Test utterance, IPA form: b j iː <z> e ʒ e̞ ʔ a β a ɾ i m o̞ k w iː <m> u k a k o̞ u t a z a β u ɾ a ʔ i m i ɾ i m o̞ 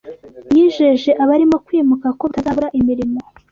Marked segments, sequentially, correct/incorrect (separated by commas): incorrect, correct